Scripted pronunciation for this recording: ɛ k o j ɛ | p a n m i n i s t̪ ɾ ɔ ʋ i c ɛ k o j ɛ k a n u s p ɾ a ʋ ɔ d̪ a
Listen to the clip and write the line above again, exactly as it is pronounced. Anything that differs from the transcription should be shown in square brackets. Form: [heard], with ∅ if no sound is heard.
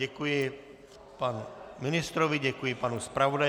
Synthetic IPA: ɛ k [u] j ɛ | p a n m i n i s t̪ ɾ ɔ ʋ i [ɟ] ɛ k [u] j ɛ [p] a n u s p ɾ a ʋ ɔ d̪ a